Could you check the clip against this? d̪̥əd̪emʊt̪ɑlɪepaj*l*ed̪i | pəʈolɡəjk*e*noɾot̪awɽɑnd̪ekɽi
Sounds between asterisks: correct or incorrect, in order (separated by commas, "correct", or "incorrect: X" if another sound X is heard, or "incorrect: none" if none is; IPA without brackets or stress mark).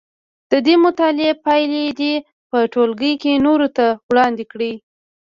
correct, correct